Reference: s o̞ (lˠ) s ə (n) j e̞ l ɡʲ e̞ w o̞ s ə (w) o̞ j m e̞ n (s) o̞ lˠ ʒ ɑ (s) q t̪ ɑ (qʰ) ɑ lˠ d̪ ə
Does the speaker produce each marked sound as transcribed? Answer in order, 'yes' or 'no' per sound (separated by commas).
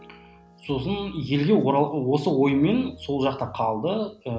no, yes, yes, yes, no, yes